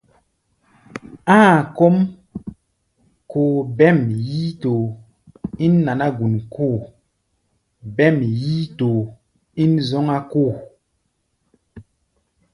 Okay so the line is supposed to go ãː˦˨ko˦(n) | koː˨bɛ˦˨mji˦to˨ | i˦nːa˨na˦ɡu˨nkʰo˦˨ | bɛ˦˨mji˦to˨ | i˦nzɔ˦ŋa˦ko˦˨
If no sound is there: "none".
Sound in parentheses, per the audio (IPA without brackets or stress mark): m